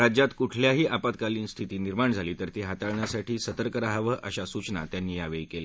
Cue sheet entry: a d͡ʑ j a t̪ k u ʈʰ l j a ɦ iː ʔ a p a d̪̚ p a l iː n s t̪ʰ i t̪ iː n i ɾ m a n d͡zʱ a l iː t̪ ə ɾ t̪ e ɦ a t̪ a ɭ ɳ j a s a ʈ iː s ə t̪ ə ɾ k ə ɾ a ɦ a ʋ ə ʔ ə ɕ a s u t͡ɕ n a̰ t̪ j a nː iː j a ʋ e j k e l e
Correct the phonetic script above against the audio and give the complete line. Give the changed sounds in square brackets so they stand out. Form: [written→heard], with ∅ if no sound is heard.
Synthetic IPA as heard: a d͡ʑ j a t̪ k u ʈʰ l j a ɦ iː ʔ a p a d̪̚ [p→k] a l iː n s t̪ʰ i t̪ iː n i ɾ m a [n→ɳ] d͡zʱ a l iː t̪ ə ɾ t̪ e ɦ a t̪ a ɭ ɳ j a s a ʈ iː s ə t̪ ə ɾ k ə ɾ a ɦ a ʋ ə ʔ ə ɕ a s u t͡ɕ n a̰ t̪ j a nː iː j a ʋ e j k e l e